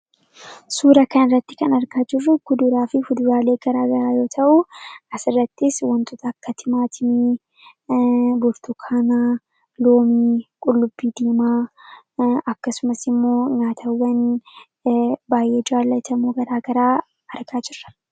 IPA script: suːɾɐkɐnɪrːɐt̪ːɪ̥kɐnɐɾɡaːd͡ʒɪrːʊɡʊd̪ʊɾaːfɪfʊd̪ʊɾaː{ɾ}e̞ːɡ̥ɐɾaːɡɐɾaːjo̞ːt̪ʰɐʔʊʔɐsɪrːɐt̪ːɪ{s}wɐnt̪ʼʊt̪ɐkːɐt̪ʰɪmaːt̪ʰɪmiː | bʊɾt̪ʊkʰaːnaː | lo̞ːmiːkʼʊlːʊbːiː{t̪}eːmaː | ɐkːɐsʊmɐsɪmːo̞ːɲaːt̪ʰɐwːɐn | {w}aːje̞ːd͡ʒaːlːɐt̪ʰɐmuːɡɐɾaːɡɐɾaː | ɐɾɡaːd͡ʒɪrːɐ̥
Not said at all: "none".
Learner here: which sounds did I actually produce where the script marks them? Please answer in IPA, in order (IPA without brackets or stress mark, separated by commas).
l, s, d̪, b